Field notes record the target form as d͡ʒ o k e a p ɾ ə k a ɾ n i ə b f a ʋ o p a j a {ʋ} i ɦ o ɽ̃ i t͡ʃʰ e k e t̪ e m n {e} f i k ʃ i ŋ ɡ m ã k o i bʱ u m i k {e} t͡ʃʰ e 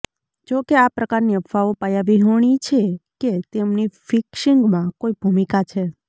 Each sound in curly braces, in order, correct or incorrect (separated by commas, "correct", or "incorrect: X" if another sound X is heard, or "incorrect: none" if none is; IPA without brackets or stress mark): correct, incorrect: i, incorrect: a